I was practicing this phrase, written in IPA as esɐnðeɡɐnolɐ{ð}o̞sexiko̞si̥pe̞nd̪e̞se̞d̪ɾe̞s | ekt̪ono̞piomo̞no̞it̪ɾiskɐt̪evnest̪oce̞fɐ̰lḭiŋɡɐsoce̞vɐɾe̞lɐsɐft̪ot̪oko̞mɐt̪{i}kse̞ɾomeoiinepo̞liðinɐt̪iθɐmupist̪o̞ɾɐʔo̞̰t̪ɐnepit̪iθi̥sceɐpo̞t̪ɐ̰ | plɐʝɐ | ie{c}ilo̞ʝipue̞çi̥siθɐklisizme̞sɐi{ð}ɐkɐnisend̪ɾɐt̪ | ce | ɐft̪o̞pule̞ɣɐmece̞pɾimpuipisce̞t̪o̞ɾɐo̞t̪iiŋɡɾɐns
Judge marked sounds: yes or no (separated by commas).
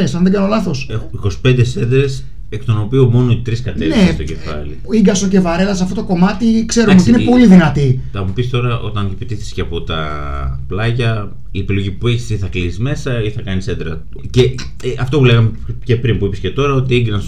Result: no, yes, no, no